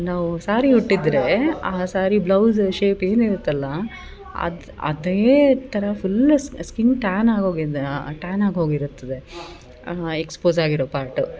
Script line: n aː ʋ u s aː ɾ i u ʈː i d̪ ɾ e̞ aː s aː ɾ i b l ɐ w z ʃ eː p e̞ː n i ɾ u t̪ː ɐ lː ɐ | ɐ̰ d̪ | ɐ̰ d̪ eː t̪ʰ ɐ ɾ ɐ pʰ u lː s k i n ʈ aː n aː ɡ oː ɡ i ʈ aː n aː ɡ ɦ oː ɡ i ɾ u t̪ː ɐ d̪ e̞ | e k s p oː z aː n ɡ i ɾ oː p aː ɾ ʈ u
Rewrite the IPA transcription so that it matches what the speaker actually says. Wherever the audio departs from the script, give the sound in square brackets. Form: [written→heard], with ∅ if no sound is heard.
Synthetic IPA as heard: n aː ʋ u s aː ɾ i u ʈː i d̪ ɾ e̞ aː s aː ɾ i b l ɐ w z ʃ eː p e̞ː n i ɾ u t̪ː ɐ lː ɐ | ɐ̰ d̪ | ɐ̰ d̪ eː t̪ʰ ɐ ɾ ɐ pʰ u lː s k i n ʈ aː n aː ɡ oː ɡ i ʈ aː n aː ɡ ɦ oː ɡ i ɾ u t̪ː ɐ d̪ e̞ | e k s p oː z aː [n→∅] ɡ i ɾ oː p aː ɾ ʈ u